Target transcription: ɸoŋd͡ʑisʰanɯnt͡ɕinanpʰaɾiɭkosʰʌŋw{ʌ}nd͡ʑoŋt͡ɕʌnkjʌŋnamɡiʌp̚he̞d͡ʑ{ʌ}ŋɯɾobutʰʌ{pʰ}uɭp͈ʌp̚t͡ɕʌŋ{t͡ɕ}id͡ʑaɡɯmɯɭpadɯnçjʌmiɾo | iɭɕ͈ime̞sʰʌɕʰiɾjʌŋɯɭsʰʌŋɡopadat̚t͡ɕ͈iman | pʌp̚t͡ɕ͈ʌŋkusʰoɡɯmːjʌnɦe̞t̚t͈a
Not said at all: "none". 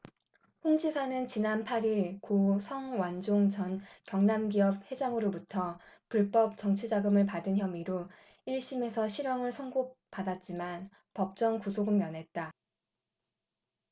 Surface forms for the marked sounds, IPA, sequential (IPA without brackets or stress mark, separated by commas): a, a, p, t͡ɕʰ